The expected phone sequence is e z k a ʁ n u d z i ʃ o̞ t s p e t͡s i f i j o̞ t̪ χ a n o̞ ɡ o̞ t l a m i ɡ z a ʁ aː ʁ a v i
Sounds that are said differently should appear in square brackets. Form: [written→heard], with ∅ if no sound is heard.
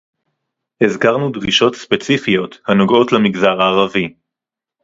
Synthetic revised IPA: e z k a ʁ n u d [z→ʁ] i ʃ o̞ t s p e t͡s i f i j o̞ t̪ [χ→h] a n o̞ ɡ o̞ t l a m i ɡ z a ʁ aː ʁ a v i

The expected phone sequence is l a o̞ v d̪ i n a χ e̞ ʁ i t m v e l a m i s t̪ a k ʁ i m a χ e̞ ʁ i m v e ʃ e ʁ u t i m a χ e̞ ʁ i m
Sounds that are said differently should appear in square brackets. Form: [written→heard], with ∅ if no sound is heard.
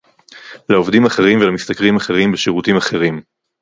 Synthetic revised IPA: l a o̞ v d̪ i [n→m] a χ e̞ ʁ i [t→∅] m v e l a m i s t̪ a k ʁ i m a χ e̞ ʁ i m [v→b] e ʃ e ʁ u t i m a χ e̞ ʁ i m

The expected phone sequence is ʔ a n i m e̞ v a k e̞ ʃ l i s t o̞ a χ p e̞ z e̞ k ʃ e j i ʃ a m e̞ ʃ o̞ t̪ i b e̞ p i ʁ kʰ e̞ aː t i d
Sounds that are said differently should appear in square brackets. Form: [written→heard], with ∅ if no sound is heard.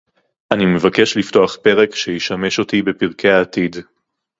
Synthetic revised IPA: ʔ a n i m e̞ v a k e̞ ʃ l i [s→f] t o̞ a χ p e̞ [z→ʁ] e̞ k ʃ e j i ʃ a m e̞ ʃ o̞ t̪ i b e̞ p i ʁ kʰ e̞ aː t i d

